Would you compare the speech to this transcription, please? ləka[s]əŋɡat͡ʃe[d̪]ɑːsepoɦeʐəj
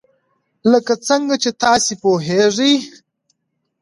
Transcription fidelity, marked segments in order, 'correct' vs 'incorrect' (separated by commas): incorrect, incorrect